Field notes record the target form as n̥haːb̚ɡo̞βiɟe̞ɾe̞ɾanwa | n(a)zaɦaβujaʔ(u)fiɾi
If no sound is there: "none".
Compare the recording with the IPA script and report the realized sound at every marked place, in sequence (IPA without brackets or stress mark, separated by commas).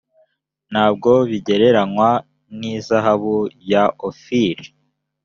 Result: i, o